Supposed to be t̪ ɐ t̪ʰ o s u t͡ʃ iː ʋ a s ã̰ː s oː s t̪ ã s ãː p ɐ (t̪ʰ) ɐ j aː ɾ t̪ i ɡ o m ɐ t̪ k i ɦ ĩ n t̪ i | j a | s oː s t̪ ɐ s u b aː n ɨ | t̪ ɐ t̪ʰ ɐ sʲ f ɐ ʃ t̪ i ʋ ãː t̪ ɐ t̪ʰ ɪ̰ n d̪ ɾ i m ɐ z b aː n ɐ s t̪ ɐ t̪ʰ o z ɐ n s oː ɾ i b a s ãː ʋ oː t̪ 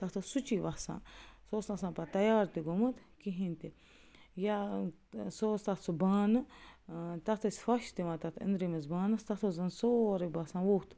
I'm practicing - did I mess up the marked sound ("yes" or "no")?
yes